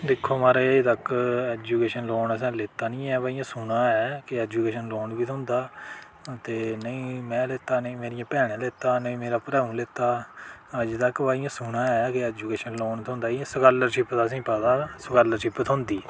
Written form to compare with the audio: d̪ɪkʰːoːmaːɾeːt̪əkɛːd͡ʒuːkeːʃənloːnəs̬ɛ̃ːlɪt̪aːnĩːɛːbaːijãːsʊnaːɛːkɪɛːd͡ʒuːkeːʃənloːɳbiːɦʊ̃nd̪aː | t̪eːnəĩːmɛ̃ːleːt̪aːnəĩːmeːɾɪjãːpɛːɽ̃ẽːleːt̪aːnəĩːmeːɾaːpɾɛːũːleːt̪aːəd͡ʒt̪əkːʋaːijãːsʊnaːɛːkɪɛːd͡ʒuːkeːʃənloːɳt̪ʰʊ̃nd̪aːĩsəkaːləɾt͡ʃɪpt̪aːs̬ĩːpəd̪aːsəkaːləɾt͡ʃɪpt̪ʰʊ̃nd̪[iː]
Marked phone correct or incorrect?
correct